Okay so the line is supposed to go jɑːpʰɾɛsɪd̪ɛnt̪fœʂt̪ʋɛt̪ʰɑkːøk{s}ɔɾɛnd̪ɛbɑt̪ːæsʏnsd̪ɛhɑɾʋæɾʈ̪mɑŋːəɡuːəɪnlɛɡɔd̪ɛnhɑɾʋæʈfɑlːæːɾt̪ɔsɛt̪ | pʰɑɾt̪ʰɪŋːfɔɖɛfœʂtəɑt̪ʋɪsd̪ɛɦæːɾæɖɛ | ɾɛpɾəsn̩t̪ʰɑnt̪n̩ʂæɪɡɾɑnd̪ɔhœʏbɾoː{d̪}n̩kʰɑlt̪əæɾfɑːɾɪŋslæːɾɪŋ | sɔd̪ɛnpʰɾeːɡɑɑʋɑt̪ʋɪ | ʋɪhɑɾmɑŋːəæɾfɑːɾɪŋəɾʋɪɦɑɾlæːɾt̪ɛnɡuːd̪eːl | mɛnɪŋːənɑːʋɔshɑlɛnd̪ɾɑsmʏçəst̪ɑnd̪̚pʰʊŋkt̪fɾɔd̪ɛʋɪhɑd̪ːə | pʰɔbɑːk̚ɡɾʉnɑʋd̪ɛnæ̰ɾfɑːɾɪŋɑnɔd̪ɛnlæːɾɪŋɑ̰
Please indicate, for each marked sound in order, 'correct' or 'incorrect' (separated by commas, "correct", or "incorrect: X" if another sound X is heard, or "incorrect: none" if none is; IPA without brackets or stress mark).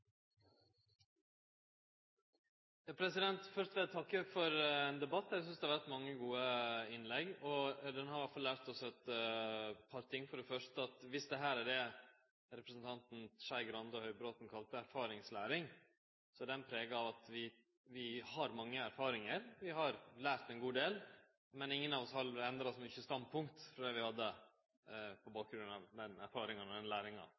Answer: incorrect: f, incorrect: t̪